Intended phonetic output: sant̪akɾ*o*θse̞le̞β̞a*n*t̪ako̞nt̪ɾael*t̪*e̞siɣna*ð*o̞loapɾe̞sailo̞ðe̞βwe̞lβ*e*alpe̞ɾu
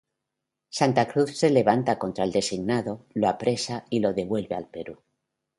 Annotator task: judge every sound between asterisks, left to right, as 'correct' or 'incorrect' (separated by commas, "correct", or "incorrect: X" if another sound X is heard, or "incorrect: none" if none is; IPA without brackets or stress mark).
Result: incorrect: u, correct, incorrect: d̪, correct, correct